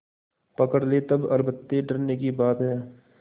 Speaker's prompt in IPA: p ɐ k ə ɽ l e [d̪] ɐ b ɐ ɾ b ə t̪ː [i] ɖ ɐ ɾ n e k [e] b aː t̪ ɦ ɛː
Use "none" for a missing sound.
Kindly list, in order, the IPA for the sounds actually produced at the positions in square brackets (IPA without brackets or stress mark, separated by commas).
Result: t̪, e, i